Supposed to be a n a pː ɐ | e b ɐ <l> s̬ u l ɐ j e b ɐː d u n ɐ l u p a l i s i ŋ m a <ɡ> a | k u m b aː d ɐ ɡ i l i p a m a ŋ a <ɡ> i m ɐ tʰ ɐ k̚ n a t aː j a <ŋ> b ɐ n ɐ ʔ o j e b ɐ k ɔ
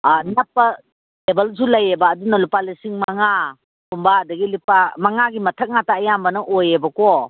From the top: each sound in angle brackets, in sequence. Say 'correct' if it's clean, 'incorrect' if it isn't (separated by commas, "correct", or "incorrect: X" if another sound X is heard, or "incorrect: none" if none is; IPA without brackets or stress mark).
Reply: correct, incorrect: ŋ, correct, incorrect: m